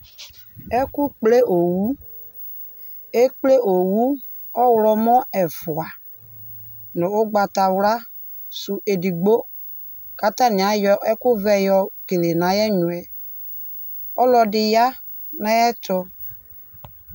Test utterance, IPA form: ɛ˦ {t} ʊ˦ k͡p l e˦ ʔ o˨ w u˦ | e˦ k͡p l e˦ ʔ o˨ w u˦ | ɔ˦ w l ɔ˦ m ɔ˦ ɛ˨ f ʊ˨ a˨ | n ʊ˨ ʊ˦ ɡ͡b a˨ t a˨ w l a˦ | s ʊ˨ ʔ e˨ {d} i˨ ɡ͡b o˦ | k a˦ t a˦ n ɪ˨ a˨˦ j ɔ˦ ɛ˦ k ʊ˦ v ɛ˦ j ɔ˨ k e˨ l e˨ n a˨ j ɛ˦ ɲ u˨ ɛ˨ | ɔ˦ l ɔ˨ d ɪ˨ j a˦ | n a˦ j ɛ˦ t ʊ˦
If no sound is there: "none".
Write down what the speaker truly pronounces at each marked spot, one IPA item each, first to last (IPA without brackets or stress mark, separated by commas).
k, d